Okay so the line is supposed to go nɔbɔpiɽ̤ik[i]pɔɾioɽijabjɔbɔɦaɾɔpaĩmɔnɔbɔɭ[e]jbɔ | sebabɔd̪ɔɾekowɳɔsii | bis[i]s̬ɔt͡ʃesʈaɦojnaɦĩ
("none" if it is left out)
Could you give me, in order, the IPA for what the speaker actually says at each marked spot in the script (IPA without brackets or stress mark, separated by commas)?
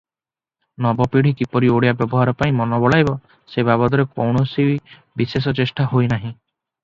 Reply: i, a, e